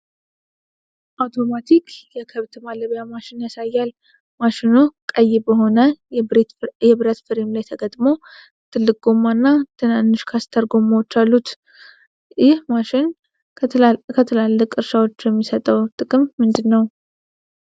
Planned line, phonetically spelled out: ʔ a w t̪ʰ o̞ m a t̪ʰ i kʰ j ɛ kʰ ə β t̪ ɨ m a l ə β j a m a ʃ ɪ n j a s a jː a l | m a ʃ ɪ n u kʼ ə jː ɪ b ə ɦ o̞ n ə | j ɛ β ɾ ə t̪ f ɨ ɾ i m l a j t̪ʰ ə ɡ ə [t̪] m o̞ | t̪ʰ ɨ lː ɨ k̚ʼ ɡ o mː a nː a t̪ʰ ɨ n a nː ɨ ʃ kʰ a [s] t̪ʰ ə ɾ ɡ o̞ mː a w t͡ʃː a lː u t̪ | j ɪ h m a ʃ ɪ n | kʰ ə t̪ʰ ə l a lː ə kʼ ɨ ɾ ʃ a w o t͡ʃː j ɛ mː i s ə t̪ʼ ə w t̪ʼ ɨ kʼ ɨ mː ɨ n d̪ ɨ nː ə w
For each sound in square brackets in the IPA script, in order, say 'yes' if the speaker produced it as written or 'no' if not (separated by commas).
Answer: no, yes